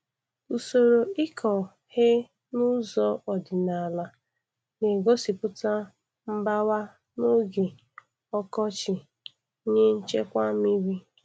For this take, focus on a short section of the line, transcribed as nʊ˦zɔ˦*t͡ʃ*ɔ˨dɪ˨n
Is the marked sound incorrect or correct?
incorrect